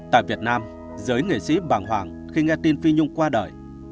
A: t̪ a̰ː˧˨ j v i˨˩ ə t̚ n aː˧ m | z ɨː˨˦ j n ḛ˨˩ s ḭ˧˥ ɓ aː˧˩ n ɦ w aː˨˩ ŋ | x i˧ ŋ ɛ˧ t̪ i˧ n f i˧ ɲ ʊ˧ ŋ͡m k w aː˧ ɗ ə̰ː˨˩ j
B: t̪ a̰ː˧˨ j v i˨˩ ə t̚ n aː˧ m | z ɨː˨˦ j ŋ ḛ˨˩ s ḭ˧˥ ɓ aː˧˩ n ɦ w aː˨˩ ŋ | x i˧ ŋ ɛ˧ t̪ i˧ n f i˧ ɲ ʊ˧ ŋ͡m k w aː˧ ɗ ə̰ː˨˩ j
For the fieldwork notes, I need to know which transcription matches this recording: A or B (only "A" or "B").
B